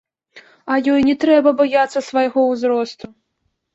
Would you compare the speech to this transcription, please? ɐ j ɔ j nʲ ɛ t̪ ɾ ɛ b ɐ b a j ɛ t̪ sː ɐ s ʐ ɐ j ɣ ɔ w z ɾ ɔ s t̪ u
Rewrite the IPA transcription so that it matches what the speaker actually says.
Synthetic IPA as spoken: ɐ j ɔ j nʲ ɛ t̪ ɾ ɛ b ɐ b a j a t̪ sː ɐ s v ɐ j ɣ ɔ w z ɾ ɔ s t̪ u

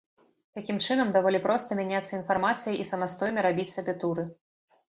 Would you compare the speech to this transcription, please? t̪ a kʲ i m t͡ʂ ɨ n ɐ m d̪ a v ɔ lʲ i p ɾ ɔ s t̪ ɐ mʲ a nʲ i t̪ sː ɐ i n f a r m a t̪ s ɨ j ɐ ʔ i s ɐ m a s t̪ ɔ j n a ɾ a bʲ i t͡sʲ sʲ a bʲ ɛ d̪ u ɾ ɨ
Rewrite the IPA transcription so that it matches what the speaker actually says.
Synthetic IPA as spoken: t̪ a kʲ i m t͡ʂ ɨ n ɐ m d̪ a v ɔ lʲ i p ɾ ɔ s t̪ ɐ mʲ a nʲ a t̪ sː ɐ i n f a r m a t̪ s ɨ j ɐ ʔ i s ɐ m a s t̪ ɔ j n ɐ ɾ a bʲ i t͡sʲ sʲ a bʲ ɛ t̪ u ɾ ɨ

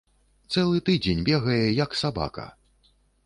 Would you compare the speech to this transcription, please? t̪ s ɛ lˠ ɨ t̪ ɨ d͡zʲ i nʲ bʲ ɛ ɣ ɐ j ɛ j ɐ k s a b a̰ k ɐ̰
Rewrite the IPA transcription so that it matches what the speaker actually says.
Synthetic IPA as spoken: t̪ s ɛ lˠ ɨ t̪ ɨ d͡zʲ e nʲ bʲ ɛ ɣ ɐ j ɛ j ɐ k s a b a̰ k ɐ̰

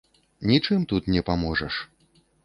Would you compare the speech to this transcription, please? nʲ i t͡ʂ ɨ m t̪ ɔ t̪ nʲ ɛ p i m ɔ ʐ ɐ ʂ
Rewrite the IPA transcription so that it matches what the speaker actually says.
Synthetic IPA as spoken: nʲ i t͡ʂ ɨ m t̪ u t̪ nʲ ɛ p a m ɔ ʐ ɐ ʂ

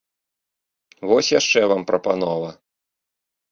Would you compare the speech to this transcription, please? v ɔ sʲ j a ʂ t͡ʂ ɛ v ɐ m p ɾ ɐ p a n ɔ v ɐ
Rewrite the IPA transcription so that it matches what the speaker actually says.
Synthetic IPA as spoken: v ɔ sʲ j a ʂ t͡ʂ ɛ v a m p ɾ ɐ p a n ɔ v ɐ

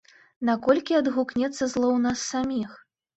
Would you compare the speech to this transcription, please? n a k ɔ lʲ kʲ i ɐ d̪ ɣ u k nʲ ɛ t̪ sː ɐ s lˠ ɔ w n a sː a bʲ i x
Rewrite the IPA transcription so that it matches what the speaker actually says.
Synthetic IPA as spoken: n a k ɔ lʲ kʲ i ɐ d̪ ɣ u k nʲ ɛ t̪ sː ɐ z lˠ ɔ w n a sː a mʲ i x

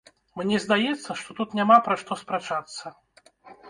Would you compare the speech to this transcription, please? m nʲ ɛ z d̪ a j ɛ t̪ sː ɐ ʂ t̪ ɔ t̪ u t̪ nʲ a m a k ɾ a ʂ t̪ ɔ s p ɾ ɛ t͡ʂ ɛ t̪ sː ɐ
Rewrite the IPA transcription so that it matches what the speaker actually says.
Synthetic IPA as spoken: m nʲ ɛ z d̪ a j ɛ t̪ sː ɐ ʂ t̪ ɔ t̪ u t̪ nʲ a m a p ɾ a ʂ t̪ ɔ s p ɾ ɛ t͡ʂ a t̪ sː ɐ

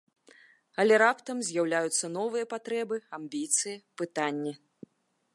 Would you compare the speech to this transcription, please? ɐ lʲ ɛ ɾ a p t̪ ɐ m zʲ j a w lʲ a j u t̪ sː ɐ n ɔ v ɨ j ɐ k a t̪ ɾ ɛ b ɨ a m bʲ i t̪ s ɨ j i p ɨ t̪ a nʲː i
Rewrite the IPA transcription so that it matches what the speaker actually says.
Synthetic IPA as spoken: ɐ lʲ ɛ ɾ a p t̪ ɐ m zʲ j a w lʲ a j u t̪ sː ɐ n ɔ v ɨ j ɐ p a t̪ ɾ ɛ b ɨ a m bʲ i t̪ s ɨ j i p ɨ t̪ a nʲː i

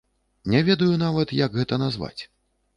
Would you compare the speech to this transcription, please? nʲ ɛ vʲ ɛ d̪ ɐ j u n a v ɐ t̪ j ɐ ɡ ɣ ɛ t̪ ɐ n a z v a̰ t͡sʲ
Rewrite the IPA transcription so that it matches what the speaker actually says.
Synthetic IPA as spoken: nʲ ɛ vʲ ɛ d̪ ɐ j u n a v ɐ t̪ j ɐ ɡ ɣ ɛ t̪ ɐ n a z v a̰ t͡sʲ

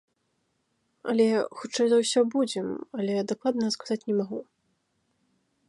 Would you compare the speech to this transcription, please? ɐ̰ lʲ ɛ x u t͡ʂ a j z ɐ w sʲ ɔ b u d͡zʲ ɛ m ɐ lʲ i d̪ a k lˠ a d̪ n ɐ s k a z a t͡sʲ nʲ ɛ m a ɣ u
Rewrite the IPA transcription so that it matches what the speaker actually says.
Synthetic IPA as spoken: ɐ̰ lʲ ɛ x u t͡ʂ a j z ɐ w sʲ ɔ b u d͡zʲ ɛ m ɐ lʲ ɛ d̪ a k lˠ a d̪ n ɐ s k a z a t͡sʲ nʲ ɛ m a ɣ u

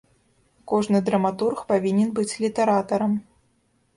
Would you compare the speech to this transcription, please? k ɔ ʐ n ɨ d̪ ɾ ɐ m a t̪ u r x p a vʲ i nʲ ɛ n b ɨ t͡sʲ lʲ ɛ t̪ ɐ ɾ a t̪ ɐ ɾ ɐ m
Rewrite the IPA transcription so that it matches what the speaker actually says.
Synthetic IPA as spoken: k ɔ ʐ n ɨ d̪ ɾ ɐ m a t̪ u r x p a vʲ i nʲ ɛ n b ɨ t͡sʲ lʲ i t̪ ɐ ɾ a t̪ ɐ ɾ ɐ m

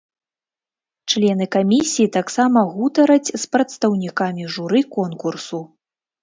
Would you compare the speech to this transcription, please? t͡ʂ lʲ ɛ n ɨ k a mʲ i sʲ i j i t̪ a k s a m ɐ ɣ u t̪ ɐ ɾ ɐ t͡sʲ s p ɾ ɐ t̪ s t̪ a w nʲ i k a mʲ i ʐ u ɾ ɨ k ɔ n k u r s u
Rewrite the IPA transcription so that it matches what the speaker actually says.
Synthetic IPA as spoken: t͡ʂ lʲ ɛ n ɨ k a mʲ i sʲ i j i t̪ a k s a m ɐ ɣ u t̪ ɐ ɾ ɐ t͡sʲ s p ɾ ɐ t̪ s t̪ ɐ w nʲ i k a mʲ i ʐ u ɾ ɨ k ɔ n k u r s u

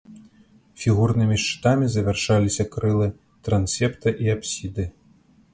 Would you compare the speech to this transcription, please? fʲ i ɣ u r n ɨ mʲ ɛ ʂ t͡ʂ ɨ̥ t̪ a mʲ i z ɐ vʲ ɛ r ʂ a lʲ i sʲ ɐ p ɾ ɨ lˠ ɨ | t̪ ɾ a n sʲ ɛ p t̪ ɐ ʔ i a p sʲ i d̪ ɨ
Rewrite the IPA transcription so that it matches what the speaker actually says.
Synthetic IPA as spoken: fʲ i ɣ u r n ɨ mʲ i ʂ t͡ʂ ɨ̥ t̪ a mʲ i z ɐ vʲ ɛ r ʂ a lʲ i sʲ ɐ k ɾ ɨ lˠ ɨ | t̪ ɾ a n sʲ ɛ p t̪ ɐ ʔ i a p sʲ i d̪ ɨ

